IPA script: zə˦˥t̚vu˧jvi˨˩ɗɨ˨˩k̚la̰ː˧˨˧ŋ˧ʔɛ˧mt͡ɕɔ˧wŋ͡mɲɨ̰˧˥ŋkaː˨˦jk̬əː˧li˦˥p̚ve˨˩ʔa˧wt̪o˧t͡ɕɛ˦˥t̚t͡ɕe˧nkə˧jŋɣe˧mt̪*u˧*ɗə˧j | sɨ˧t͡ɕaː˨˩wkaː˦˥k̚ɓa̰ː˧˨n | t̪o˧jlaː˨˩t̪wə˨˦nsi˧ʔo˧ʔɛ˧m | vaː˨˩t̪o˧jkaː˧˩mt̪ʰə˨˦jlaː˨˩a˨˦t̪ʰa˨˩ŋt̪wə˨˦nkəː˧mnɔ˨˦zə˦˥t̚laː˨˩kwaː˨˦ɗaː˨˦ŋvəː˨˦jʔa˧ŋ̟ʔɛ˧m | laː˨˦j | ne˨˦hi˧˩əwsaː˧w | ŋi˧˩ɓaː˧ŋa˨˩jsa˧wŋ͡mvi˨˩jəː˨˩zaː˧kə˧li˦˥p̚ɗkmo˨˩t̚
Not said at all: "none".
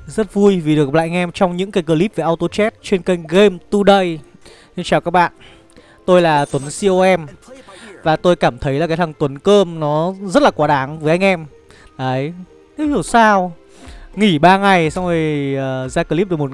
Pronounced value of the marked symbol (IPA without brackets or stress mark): u˧